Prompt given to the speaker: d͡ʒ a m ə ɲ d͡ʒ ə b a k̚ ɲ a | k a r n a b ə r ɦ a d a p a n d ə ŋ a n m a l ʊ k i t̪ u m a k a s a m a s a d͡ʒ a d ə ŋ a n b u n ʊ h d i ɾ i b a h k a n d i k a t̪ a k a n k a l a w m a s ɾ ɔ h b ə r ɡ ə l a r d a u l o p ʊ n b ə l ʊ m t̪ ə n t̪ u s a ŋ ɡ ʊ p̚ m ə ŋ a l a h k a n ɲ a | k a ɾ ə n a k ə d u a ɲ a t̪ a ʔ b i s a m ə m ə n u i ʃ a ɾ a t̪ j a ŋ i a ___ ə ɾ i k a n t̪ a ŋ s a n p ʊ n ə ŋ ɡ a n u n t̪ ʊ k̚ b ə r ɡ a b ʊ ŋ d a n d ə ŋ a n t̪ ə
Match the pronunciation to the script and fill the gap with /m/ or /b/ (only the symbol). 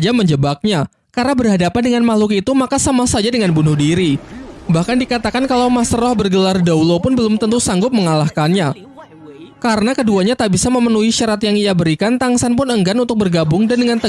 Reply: b